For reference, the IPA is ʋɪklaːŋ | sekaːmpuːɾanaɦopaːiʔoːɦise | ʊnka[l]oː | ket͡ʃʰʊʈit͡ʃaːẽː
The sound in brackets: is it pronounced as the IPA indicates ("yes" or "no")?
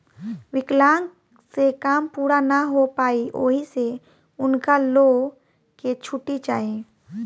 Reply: yes